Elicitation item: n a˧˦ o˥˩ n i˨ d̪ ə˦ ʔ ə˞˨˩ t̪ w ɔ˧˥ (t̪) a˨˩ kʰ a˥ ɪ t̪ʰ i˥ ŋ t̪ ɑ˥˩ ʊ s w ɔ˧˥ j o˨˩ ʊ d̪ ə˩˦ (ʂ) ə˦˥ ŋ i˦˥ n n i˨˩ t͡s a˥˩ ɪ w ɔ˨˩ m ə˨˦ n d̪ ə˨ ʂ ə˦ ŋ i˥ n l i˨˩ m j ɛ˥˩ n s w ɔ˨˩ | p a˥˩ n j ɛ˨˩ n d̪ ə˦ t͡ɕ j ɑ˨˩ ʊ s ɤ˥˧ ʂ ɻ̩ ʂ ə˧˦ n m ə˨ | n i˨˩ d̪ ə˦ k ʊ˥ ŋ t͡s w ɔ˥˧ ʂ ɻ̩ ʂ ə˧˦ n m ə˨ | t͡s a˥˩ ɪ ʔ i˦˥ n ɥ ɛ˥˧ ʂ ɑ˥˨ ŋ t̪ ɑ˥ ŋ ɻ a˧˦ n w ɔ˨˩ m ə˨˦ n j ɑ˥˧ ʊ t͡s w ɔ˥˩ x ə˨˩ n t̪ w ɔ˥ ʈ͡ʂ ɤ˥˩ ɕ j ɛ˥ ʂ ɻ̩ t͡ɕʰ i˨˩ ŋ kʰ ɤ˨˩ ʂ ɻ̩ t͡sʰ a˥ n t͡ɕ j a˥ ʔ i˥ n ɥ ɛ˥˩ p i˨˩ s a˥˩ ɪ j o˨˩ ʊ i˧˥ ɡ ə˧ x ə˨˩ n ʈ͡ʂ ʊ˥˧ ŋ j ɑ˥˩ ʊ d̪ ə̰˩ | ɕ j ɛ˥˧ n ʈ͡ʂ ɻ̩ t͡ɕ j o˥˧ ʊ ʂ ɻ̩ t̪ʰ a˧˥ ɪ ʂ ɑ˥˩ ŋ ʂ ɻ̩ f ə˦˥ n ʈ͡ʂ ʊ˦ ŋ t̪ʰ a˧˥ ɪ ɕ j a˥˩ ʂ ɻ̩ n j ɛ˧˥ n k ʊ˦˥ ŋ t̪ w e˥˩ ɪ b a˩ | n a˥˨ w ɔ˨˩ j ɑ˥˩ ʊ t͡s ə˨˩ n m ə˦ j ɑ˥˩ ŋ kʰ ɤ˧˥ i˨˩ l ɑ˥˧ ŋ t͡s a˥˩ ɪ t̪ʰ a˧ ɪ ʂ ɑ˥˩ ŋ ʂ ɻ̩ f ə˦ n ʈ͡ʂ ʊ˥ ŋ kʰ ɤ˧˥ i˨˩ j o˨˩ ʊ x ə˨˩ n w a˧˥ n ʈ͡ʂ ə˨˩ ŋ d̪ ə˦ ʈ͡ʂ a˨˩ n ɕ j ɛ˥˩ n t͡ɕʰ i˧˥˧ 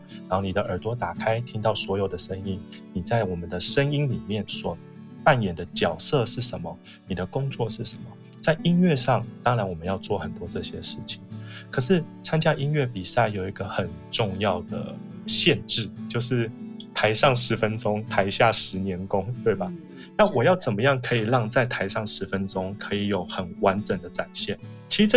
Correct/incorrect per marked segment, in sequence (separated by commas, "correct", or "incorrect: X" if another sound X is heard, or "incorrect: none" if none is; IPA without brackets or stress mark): correct, correct